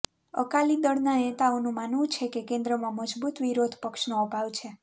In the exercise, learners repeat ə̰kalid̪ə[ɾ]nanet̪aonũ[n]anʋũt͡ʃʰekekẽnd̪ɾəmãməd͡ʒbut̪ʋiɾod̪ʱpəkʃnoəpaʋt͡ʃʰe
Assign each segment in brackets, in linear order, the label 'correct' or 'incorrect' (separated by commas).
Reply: incorrect, incorrect